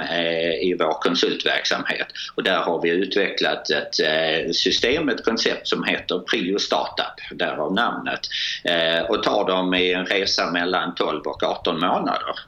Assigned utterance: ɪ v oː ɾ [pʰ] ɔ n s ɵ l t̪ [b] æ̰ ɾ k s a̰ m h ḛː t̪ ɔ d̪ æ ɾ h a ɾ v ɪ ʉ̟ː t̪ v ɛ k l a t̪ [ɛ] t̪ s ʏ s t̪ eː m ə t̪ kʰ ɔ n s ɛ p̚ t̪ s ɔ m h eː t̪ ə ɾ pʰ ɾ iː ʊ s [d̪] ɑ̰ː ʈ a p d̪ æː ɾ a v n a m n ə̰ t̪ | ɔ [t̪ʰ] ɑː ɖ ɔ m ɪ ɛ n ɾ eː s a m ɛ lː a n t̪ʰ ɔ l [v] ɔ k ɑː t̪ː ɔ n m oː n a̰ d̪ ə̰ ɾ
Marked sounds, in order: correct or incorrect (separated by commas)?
incorrect, incorrect, correct, incorrect, correct, correct